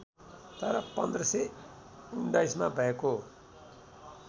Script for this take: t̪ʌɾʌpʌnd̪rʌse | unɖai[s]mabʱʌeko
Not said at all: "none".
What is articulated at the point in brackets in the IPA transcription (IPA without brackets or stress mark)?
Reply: s